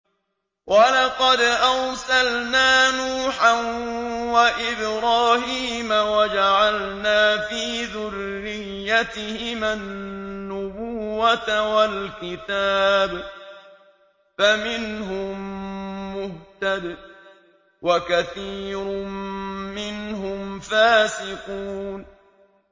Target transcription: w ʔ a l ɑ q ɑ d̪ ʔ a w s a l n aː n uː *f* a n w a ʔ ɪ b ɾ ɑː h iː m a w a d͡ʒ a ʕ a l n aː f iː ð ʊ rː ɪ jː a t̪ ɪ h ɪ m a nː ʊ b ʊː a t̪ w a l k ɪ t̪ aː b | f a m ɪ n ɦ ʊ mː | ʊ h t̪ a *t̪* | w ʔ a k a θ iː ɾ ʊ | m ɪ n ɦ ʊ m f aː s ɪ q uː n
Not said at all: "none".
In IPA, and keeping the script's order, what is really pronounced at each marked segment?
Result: ħ, d̪

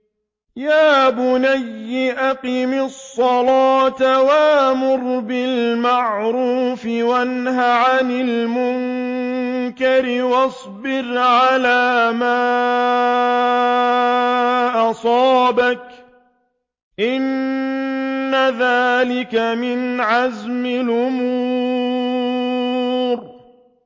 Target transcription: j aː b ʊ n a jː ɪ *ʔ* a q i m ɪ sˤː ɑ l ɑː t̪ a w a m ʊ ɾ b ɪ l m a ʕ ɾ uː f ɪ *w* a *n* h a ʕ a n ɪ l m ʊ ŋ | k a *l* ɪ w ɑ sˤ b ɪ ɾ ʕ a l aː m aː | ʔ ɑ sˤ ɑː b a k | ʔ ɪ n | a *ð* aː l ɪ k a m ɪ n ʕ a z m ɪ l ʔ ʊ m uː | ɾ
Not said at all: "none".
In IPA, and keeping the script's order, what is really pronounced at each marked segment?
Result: ʔ, w, n, ɾ, ð

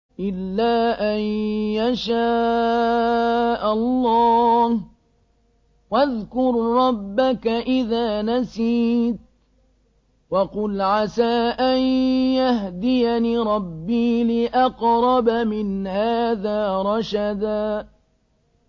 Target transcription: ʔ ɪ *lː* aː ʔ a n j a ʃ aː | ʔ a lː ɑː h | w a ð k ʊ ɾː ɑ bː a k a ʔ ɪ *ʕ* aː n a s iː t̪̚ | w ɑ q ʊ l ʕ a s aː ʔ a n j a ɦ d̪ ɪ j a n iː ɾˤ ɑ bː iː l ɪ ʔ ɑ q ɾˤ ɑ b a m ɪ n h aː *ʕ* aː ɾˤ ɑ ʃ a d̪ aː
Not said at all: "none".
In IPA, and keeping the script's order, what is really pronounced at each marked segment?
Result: lː, ð, ð

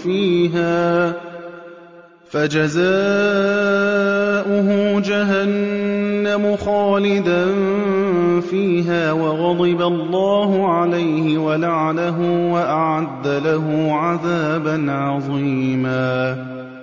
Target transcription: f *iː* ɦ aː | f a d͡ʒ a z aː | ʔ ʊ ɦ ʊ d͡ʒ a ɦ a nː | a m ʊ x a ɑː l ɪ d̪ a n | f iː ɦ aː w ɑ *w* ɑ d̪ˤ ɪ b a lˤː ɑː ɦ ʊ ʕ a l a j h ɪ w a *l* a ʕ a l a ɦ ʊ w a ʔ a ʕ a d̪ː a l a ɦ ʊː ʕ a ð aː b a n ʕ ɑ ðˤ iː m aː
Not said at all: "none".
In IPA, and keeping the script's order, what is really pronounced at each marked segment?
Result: iː, ɣ, l

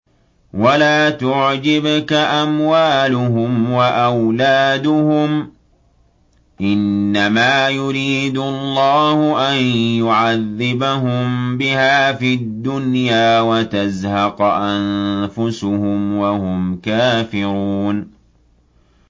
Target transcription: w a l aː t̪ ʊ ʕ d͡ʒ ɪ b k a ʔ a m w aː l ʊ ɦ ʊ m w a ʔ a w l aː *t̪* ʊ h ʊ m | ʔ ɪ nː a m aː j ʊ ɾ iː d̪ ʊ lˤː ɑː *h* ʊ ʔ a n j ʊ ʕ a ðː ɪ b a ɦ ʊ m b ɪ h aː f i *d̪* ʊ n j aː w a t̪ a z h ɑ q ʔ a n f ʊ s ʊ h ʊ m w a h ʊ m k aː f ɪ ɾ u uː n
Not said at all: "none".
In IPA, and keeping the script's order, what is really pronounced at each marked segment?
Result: d̪, h, d̪ː

